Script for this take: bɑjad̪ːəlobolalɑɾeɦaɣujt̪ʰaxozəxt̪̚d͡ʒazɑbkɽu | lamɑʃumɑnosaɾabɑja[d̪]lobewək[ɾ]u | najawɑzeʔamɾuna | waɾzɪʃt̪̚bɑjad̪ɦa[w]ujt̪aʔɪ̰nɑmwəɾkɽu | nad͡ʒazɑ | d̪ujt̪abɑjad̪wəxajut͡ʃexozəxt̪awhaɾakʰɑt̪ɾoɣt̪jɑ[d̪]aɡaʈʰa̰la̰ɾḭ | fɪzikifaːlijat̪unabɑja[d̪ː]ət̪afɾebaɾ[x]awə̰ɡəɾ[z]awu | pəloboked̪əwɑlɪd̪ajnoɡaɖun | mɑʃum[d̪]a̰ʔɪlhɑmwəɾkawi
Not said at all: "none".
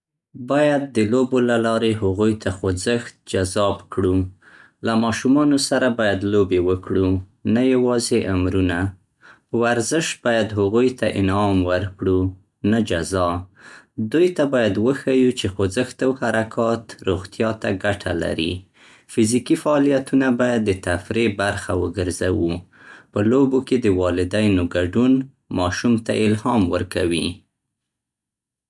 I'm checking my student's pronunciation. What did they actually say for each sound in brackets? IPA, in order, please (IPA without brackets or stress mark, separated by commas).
d̪, ɽ, ɣ, t̪, d̪ː, x, z, t̪